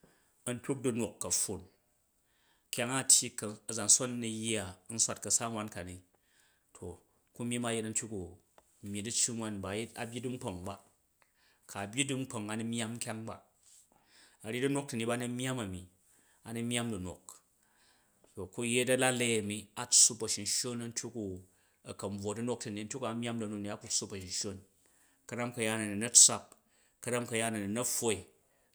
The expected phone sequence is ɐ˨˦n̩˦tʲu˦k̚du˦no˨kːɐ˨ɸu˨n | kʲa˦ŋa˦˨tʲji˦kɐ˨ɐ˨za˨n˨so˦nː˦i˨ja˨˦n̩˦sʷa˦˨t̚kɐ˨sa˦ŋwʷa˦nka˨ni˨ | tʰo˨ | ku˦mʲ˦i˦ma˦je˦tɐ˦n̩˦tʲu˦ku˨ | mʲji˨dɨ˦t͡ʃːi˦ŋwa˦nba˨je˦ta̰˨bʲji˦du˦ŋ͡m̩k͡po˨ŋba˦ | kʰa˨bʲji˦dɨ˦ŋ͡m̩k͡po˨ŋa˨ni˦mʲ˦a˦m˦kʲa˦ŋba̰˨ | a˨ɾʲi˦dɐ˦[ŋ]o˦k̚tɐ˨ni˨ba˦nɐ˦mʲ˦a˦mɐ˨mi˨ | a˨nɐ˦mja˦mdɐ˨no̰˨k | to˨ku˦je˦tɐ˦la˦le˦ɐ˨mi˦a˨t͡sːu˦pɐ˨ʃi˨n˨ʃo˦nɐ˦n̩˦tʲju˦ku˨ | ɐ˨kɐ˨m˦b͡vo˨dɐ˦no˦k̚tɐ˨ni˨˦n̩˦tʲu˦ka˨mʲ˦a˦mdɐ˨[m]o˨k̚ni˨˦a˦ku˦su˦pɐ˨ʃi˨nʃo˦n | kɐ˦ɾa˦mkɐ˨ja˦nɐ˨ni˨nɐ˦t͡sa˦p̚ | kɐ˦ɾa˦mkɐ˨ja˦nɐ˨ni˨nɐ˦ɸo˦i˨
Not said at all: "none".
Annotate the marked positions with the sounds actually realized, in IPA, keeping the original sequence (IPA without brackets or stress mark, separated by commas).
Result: n, n